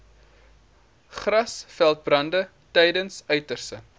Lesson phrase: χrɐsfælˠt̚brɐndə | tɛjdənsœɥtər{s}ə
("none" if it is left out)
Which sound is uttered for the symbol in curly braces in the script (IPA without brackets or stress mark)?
s